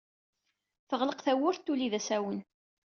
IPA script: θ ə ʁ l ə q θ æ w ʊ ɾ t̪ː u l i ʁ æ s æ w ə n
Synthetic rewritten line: θ ə ʁ l ə q θ æ w ʊ ɾ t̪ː u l i ð æ s æ w ə n